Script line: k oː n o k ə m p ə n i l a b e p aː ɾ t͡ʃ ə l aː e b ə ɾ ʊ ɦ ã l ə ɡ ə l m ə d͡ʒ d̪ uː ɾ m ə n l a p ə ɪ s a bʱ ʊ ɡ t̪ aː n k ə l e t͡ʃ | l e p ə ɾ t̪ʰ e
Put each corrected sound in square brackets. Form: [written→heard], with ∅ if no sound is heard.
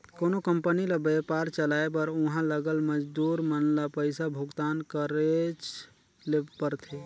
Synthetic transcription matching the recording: k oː n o k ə m p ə n i l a b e p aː ɾ t͡ʃ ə l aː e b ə ɾ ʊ ɦ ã l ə ɡ ə l m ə d͡ʒ d̪ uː ɾ m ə n l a p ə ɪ s a bʱ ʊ ɡ t̪ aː n k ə [l→ɾ] e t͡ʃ | l e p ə ɾ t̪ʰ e